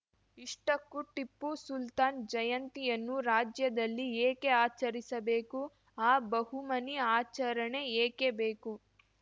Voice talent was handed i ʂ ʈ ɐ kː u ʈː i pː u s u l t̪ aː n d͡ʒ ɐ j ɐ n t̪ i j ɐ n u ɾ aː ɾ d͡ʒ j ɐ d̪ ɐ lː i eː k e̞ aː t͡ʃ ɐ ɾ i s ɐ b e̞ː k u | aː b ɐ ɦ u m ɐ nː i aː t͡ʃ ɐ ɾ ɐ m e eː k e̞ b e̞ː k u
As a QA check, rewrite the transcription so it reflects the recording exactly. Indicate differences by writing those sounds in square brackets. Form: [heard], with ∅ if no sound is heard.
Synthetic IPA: i ʂ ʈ ɐ kː u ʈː i pː u s u l t̪ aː n d͡ʒ ɐ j ɐ n t̪ i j ɐ [nː] u ɾ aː [∅] d͡ʒ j ɐ d̪ ɐ lː i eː k e̞ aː t͡ʃ ɐ ɾ i s ɐ b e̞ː k u | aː b ɐ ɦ u m ɐ [n] i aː t͡ʃ ɐ ɾ ɐ [ɳ] e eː k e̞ b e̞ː k u